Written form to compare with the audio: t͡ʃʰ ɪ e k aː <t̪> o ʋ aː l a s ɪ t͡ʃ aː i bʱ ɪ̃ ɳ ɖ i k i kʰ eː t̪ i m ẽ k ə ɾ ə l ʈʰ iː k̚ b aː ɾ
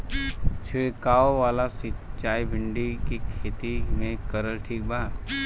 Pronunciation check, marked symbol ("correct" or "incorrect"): incorrect